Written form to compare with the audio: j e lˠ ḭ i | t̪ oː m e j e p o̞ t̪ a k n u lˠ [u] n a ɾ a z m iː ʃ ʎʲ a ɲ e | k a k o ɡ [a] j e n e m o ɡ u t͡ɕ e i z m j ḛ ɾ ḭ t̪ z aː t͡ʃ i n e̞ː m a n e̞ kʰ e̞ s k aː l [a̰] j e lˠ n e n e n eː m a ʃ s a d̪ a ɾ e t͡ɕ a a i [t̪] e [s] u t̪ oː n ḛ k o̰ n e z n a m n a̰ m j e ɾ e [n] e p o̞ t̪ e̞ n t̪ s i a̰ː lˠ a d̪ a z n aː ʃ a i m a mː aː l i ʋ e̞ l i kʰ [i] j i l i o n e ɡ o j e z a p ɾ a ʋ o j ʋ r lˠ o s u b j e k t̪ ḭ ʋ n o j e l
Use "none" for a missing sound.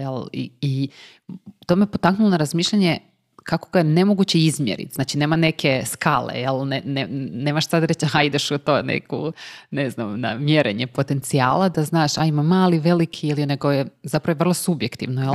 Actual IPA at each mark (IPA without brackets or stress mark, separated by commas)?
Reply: o, a, ḛ, d̪, ʃ, ɲ, i